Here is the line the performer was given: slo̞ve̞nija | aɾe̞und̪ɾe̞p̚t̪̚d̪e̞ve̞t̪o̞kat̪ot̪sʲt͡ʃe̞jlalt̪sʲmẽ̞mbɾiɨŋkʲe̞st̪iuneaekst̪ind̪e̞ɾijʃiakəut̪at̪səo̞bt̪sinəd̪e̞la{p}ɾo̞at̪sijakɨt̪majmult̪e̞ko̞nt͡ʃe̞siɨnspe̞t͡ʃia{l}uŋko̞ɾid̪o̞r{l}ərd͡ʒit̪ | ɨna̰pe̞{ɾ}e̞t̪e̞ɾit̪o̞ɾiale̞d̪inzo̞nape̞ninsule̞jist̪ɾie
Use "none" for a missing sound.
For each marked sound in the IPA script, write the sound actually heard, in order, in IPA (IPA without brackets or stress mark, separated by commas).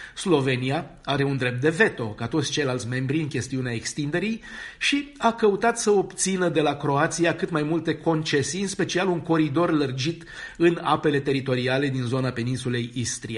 k, l, l, l